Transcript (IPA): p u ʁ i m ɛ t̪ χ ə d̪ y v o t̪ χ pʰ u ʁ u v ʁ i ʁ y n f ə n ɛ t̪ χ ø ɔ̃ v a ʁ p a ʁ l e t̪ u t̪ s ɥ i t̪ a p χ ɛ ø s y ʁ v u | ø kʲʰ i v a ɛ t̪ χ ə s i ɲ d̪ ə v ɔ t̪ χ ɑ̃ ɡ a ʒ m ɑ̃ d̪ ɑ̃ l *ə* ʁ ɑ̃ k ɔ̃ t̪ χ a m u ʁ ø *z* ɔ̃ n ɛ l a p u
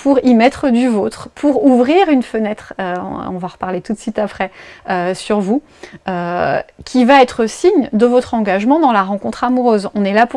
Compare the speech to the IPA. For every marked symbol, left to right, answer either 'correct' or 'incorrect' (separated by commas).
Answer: incorrect, correct